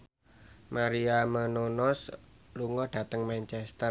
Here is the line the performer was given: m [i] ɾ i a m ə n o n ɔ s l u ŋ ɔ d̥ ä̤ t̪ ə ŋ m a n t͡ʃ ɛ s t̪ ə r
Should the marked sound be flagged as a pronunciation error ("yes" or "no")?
yes